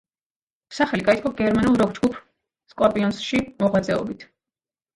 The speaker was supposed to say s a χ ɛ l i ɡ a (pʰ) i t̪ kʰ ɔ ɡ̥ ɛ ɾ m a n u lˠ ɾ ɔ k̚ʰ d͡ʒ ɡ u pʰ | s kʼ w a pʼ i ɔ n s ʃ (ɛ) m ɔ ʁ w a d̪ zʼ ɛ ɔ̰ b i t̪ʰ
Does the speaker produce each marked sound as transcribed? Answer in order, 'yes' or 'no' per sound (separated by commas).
no, no